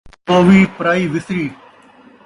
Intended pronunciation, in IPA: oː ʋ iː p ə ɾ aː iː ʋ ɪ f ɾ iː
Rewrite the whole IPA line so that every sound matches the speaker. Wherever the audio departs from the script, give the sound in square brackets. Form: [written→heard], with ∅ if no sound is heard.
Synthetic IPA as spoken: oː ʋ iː p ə ɾ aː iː ʋ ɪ [f→s] ɾ iː